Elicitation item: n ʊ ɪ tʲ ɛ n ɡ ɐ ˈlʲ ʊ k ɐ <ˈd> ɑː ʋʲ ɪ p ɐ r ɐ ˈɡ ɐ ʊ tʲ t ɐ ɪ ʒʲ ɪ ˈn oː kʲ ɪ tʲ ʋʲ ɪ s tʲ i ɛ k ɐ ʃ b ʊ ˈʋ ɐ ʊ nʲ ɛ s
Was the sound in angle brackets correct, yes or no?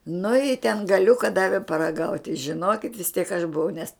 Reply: yes